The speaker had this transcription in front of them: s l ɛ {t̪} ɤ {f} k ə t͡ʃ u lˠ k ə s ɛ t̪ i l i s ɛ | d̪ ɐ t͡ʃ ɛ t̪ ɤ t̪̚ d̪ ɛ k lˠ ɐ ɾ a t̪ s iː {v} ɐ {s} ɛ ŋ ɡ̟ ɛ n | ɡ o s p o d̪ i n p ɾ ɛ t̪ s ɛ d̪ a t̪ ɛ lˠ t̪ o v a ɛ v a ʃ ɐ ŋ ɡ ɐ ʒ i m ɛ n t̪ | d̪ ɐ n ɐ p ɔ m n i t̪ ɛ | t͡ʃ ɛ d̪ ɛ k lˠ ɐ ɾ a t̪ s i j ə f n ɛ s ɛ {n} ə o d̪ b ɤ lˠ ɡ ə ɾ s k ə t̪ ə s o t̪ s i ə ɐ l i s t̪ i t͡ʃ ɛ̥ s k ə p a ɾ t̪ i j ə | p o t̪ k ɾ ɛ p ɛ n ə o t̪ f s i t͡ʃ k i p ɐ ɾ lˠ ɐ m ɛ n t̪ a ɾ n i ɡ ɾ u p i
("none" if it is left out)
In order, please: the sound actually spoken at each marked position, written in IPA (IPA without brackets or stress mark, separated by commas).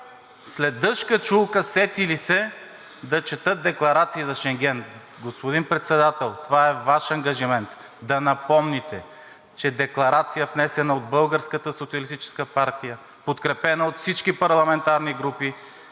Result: d̪, ʃ, z, ʃ, n